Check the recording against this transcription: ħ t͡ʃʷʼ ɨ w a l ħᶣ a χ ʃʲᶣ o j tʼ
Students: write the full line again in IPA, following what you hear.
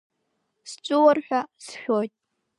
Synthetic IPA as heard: s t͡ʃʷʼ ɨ w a r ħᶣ a s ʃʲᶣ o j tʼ